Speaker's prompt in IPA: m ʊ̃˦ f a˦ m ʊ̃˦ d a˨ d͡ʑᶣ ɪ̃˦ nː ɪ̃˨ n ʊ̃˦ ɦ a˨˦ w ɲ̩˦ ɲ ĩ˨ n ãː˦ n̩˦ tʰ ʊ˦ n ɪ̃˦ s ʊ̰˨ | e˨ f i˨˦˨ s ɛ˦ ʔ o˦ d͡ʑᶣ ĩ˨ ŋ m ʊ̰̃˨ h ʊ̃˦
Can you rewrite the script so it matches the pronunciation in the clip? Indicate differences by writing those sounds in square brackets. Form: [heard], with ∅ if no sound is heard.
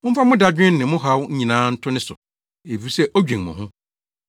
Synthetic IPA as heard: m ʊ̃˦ f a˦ m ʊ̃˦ d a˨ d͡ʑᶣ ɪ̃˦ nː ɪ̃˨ [m] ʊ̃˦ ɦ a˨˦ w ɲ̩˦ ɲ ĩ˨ n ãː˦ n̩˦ tʰ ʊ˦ n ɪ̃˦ s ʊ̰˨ | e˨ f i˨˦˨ s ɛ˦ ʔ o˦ d͡ʑᶣ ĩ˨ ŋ m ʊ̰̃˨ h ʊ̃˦